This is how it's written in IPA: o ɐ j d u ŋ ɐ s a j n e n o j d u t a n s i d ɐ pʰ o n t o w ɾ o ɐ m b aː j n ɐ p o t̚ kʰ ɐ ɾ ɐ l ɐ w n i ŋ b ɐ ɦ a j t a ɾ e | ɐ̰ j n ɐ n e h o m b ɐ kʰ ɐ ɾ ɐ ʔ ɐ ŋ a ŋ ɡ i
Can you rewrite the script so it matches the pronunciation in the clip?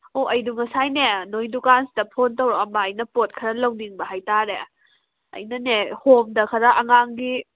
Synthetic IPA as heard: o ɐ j d u ŋ ɐ s a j n e n o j d u k a n s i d ɐ pʰ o n t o w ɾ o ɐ m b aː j n ɐ p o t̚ kʰ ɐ ɾ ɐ l ɐ w n i ŋ b ɐ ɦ a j t a ɾ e | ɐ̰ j n ɐ n e h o m d ɐ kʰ ɐ ɾ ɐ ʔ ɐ ŋ a ŋ ɡ i